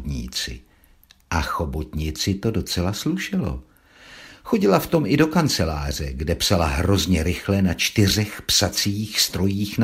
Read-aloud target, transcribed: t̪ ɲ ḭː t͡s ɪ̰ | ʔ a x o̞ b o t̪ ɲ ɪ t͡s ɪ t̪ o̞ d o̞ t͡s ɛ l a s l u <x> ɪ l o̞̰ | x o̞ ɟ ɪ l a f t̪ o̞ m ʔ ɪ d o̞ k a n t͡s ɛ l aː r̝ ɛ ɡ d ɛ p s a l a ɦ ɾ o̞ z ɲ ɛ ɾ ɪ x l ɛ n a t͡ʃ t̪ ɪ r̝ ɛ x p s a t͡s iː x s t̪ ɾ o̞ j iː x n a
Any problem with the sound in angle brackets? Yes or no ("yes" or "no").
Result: yes